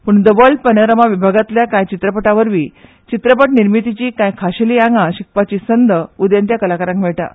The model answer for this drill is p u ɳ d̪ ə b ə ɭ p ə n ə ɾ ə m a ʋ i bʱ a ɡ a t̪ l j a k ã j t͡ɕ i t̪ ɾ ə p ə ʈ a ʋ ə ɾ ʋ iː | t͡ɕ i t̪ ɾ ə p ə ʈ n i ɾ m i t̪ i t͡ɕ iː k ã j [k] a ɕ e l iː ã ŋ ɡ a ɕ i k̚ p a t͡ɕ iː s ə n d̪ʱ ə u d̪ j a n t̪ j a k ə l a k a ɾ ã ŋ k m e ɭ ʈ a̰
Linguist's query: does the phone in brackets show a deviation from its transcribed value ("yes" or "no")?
yes